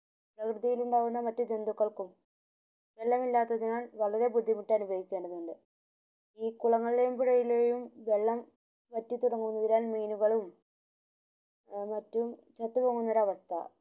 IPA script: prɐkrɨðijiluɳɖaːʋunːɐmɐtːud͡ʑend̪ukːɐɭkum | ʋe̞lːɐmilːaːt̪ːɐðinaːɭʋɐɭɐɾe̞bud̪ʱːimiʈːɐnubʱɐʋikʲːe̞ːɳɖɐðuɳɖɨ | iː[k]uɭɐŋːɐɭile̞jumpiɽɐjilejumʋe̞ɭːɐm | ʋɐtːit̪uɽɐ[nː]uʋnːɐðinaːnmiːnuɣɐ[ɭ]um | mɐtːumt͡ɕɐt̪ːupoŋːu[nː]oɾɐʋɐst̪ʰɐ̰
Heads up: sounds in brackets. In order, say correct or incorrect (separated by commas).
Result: correct, incorrect, correct, correct